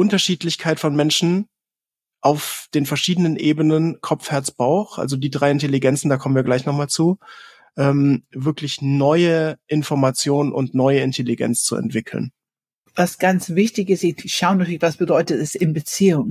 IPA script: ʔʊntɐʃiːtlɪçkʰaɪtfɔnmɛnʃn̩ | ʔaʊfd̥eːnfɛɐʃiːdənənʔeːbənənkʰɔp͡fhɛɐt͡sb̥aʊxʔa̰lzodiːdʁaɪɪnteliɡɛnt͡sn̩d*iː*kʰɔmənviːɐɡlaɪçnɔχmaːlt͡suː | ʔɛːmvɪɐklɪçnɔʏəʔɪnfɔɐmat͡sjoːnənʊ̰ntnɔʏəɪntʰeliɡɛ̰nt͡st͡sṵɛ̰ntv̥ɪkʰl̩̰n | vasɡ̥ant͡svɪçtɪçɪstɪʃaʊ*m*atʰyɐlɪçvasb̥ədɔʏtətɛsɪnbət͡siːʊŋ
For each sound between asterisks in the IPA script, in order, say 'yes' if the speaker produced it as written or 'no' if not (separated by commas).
no, no